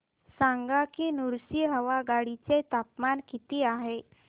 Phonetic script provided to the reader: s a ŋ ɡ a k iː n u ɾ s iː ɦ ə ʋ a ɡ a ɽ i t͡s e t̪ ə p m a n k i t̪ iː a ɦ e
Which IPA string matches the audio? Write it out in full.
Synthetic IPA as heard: s a ŋ ɡ a k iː n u ɾ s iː ɦ ə ʋ a ɡ a ɽ i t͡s e t̪ a p m a n k i t̪ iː a ɦ e